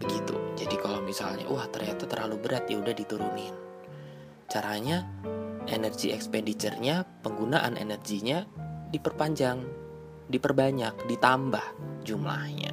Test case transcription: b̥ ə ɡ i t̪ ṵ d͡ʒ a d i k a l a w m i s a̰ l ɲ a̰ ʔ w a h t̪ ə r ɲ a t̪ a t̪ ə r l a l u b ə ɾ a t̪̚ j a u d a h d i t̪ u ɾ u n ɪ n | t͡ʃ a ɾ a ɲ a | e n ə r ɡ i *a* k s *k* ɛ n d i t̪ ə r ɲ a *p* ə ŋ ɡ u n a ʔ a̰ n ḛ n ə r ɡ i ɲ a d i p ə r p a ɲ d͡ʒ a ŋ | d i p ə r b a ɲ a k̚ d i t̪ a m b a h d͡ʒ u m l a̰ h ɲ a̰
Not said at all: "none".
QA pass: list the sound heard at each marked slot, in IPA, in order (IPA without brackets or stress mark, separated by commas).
ɛ, p, p